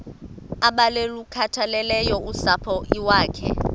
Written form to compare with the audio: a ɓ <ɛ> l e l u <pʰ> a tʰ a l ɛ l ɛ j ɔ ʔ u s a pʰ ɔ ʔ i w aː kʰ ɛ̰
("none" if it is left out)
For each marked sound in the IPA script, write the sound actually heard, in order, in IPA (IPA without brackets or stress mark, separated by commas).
a, kʰ